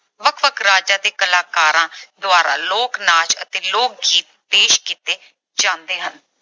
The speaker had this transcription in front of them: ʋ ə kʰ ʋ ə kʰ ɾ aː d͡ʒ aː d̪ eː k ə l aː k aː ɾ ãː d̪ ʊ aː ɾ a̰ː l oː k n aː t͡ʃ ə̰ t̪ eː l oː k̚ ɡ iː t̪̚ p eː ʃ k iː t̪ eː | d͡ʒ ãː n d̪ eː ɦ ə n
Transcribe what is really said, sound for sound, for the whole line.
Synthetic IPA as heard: ʋ ə kʰ ʋ ə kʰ ɾ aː d͡ʒ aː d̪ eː k ə l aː k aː ɾ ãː d̪ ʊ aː ɾ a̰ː l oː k n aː t͡ʃ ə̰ t̪ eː l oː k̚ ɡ iː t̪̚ p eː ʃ k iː t̪ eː | d͡ʒ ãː n d̪ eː ɦ ə n